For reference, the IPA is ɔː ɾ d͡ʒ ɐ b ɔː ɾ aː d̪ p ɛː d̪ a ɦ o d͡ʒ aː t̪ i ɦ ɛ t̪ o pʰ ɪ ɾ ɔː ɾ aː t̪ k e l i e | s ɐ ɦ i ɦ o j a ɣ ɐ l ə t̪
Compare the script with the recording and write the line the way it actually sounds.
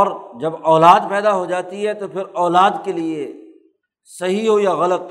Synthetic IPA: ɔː ɾ d͡ʒ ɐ b ɔː l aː d̪ p ɛː d̪ a ɦ o d͡ʒ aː t̪ i ɦ ɛ t̪ o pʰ ɪ ɾ ɔː l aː d̪ k e l i e | s ɐ ɦ i ɦ o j a ɣ ɐ l ə t̪